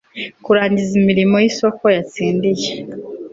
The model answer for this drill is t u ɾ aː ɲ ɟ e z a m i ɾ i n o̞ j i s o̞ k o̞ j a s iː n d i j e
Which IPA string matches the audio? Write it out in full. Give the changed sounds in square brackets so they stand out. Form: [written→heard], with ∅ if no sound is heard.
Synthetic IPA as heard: [t→k] u ɾ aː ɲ ɟ [e→i] z [a→i] m i ɾ i [n→m] o̞ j i s o̞ k o̞ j a [s→t͡s] iː n d i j e